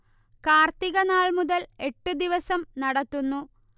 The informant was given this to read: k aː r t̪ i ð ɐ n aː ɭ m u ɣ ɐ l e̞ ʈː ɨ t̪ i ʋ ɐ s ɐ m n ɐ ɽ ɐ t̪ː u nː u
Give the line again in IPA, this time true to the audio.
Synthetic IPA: k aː r t̪ i ɣ ɐ n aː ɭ m u ð ɐ l e̞ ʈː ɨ d̪ i ʋ ɐ s ɐ m n ɐ ɽ ɐ t̪ː u nː u